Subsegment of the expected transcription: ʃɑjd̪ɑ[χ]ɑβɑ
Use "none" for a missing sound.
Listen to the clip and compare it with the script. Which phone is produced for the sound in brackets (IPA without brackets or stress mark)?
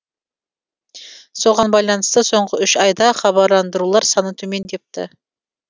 χ